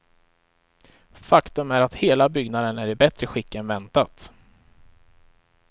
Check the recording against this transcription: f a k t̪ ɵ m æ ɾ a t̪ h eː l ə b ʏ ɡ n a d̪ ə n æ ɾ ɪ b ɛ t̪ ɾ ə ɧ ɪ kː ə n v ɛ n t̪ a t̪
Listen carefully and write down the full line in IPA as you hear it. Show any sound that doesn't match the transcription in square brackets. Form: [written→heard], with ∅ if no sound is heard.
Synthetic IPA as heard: f a k t̪ ɵ m æ ɾ a t̪ h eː l [ə→a] b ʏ ɡ n a d̪ ə n æ ɾ ɪ b ɛ t̪ ɾ ə ɧ ɪ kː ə n v ɛ n t̪ a t̪